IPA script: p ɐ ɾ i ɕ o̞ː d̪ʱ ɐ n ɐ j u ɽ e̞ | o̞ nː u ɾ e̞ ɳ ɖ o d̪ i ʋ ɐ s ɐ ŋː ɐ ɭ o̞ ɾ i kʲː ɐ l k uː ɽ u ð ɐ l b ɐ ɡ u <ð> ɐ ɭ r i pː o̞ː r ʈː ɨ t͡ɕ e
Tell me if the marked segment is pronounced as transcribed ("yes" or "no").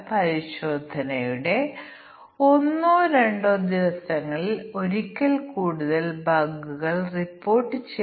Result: no